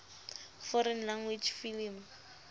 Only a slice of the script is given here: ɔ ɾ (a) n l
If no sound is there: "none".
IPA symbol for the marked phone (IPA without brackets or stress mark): ɛ